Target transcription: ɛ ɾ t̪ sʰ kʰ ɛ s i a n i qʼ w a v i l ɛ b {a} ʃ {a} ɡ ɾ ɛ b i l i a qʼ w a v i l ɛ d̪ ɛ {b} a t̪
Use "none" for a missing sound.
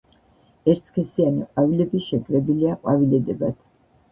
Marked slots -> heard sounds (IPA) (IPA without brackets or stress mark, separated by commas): i, ɛ, b